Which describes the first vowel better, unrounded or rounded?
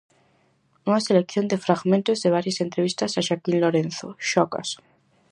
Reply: rounded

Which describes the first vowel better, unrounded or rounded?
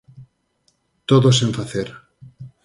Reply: rounded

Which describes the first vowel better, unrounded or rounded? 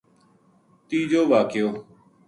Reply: unrounded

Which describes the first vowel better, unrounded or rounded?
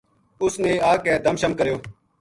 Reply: rounded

